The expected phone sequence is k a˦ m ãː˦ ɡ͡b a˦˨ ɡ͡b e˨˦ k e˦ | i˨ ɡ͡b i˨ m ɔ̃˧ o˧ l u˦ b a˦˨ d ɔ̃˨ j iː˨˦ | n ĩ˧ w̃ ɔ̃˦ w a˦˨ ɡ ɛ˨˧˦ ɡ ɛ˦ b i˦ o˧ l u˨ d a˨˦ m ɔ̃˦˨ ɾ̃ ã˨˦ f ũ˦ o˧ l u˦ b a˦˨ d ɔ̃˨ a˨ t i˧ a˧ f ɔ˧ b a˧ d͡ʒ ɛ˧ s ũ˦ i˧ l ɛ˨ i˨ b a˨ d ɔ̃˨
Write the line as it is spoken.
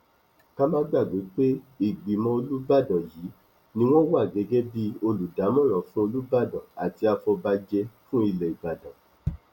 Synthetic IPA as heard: k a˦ m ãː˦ ɡ͡b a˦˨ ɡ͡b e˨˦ k͡p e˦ | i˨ ɡ͡b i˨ m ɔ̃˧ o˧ l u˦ b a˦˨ d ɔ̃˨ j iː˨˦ | n ĩ˧ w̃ ɔ̃˦ w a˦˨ ɡ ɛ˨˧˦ ɡ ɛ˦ b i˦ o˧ l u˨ d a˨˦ m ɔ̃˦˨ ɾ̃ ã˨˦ f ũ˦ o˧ l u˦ b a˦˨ d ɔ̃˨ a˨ t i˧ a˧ f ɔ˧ b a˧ d͡ʒ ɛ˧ f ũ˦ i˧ l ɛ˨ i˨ b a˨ d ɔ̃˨